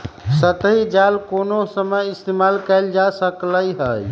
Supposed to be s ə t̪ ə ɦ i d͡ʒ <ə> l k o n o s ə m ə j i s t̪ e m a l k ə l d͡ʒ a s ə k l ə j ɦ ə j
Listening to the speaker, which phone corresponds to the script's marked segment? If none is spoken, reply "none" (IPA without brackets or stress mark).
a